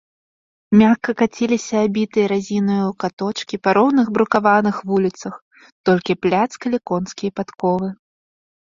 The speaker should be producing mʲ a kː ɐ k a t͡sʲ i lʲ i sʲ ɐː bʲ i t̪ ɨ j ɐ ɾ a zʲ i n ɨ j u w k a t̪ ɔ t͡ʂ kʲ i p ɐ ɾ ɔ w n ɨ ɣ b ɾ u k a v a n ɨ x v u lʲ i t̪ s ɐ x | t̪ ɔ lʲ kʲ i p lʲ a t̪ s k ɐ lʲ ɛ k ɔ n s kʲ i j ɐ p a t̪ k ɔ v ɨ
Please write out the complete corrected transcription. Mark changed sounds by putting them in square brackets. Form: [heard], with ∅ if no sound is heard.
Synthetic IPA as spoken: mʲ a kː ɐ k a t͡sʲ i lʲ i sʲ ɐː bʲ i t̪ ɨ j ɐ ɾ a zʲ i n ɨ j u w k a t̪ ɔ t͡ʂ kʲ i p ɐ ɾ ɔ w n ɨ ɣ b ɾ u k a v a n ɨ x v u lʲ i t̪ s ɐ x | t̪ ɔ lʲ kʲ i p lʲ a t̪ s k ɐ lʲ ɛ k ɔ n s kʲ i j ɐ p a t̪ k ɔ v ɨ